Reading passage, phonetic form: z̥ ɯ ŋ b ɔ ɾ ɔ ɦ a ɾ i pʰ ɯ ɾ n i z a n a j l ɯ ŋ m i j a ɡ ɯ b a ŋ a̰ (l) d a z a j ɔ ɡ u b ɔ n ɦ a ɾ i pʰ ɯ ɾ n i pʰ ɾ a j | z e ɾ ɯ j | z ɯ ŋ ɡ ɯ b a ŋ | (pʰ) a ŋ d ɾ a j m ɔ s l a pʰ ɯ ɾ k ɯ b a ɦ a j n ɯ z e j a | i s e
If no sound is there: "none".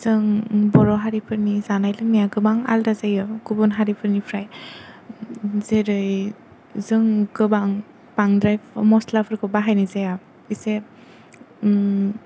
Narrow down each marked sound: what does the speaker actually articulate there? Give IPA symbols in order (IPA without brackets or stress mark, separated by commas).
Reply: l, p